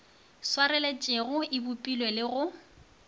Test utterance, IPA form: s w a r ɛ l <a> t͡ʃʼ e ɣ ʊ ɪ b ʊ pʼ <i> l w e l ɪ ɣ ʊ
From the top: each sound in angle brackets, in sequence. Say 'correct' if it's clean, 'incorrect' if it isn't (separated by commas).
incorrect, correct